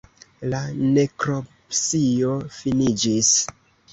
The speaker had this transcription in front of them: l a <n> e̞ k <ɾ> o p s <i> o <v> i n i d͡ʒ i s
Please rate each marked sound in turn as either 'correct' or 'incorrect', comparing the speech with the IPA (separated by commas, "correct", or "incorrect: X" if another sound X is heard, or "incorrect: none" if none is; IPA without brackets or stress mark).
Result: correct, correct, correct, incorrect: f